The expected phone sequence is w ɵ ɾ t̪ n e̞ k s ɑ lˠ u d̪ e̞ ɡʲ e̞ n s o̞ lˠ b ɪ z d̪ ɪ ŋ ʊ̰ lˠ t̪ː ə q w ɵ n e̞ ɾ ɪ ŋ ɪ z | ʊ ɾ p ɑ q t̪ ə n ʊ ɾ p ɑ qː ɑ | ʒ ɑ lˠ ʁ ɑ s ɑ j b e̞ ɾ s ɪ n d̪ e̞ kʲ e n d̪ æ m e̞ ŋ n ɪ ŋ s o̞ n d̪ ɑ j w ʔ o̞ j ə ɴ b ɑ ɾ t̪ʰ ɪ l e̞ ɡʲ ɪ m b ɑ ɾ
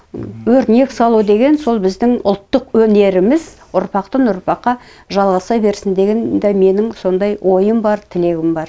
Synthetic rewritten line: w ɵ ɾ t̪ n e̞ k s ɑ lˠ u d̪ e̞ ɡʲ e̞ n s o̞ lˠ b ɪ z d̪ ɪ ŋ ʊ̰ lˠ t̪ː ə q w ɵ n e̞ ɾ ɪ m ɪ z | ʊ ɾ p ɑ q t̪ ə n ʊ ɾ p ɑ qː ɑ | ʒ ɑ lˠ ʁ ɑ s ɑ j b e̞ ɾ s ɪ n d̪ e̞ ɡʲ e n d̪ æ m e̞ n ɪ ŋ s o̞ n d̪ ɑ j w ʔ o̞ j ə m b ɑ ɾ t̪ʰ ɪ l e̞ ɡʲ ɪ m b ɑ ɾ